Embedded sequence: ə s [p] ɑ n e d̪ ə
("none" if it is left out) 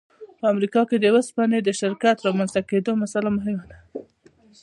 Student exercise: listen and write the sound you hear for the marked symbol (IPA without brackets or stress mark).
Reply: p